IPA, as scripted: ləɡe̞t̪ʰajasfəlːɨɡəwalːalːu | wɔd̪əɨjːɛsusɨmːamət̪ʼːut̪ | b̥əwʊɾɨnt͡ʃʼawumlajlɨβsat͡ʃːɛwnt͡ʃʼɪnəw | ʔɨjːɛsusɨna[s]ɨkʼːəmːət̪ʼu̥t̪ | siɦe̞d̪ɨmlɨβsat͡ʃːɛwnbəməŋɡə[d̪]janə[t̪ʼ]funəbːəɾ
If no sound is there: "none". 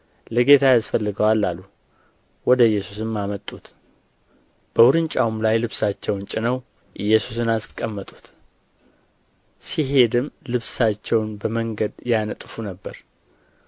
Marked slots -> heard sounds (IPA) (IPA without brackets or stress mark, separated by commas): s, d̪, t̪ʼ